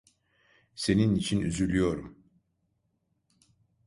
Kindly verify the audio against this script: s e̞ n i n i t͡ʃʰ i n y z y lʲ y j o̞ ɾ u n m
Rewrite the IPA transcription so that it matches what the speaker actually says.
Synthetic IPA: s e̞ n i n i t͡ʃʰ i n y z y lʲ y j o̞ ɾ u m